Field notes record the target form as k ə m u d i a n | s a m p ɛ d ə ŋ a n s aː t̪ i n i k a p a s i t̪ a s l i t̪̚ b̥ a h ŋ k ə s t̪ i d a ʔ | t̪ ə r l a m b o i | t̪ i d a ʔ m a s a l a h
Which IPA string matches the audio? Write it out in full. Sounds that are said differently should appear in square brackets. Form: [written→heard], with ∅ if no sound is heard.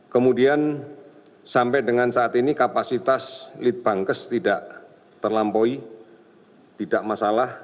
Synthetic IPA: k ə m u d i a n | s a m p ɛ d ə ŋ a n s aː t̪ i n i k a p a s i t̪ a s l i t̪̚ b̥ a [h→∅] ŋ k ə s t̪ i d a ʔ | t̪ ə r l a m [b→p] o i | t̪ i d a ʔ m a s a l a h